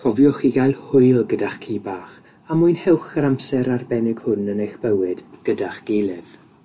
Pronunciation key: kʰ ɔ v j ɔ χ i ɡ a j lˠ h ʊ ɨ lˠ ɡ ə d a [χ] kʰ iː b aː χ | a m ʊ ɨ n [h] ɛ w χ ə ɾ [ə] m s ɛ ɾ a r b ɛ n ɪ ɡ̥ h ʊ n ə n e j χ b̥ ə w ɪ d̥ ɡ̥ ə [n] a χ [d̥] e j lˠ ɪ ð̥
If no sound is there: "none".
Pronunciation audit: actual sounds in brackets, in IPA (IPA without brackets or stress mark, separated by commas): χ, h, a, d, ɡ̥